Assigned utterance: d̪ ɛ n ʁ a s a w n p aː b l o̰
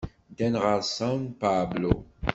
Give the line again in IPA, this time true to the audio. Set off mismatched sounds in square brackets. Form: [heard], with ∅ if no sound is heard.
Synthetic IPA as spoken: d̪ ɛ n ʁ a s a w n p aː b l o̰

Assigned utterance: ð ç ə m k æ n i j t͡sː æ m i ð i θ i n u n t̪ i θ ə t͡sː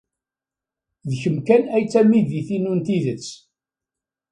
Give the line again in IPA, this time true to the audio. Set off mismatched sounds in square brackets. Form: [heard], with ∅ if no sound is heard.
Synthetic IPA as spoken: ð ç ə m k æ n [æ] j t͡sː æ m i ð i θ i n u n t̪ i [ð] ə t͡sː

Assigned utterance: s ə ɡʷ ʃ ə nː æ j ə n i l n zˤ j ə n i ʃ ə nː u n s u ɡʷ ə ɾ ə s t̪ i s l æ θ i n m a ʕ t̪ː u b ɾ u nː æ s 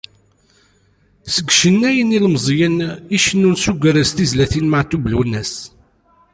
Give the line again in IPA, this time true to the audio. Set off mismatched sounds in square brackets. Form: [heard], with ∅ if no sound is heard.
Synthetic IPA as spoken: s ə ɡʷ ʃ ə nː æ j ə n i l [m] zˤ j ə n i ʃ ə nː u n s u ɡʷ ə ɾ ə s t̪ i [z] l æ θ i n m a ʕ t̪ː u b [l] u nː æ s

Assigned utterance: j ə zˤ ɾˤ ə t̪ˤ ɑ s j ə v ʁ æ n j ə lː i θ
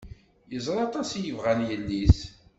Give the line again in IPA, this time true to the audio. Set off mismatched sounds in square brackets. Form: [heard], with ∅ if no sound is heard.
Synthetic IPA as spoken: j ə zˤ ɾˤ [ɑ] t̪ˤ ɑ s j ə v ʁ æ n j ə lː i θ

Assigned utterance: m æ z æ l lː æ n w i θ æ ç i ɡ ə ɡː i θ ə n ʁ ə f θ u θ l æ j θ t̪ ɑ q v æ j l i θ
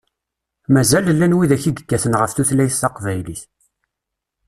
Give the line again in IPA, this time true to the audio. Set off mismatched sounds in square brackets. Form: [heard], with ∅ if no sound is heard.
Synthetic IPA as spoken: m æ z æ l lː æ n w i [ð] æ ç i ɡ ə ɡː [æ] θ ə n ʁ ə f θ u θ l æ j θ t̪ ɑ q v æ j l i θ

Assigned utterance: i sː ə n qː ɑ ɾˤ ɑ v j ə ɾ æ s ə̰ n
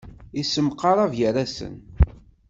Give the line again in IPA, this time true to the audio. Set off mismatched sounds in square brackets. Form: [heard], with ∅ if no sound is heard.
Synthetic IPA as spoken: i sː ə [m] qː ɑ ɾˤ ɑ v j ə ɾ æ s ə̰ n

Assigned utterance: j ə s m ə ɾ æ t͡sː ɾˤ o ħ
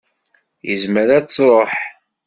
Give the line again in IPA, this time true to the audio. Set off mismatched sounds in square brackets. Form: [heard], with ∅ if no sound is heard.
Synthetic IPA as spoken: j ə [z] m ə ɾ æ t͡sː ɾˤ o ħ

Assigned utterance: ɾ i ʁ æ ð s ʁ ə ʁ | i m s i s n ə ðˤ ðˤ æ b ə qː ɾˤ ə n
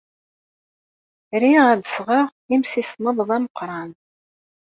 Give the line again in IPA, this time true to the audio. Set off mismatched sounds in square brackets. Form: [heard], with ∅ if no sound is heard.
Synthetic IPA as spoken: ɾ i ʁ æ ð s ʁ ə ʁ | i m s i s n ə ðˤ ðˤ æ [m] ə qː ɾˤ [ɑ] n

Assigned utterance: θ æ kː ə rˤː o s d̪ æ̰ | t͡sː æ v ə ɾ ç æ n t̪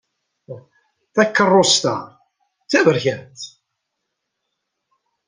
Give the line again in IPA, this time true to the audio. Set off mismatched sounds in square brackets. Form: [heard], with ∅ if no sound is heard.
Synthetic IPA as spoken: θ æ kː ə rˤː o s [t̪] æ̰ | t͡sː æ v ə ɾ ç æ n t̪

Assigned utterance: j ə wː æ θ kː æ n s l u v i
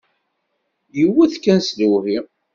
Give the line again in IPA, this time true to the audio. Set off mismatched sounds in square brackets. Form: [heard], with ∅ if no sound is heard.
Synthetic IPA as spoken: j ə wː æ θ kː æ n s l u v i

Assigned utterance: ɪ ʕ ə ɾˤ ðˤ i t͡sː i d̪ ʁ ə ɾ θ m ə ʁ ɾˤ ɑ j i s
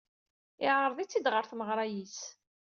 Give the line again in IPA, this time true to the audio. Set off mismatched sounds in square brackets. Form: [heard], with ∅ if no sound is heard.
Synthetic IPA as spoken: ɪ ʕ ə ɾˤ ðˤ i t͡sː i d̪ ʁ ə ɾ θ m ə ʁ ɾˤ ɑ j i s

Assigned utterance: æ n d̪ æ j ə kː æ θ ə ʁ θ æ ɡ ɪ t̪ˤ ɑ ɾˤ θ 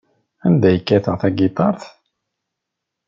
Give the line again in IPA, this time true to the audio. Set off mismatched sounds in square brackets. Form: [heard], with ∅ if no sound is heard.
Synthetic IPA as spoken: æ n d̪ æ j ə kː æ θ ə ʁ θ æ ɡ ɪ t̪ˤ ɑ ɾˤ θ

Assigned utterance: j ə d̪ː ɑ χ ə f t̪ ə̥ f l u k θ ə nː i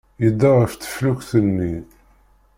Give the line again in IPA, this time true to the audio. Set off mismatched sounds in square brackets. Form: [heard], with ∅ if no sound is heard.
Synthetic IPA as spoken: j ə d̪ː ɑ [ʁ] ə f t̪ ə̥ f l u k θ ə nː i

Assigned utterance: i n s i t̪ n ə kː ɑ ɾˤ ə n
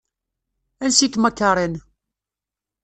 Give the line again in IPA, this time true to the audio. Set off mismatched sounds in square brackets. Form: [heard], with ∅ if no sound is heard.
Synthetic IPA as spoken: [æ] n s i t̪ [m] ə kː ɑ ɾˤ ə n

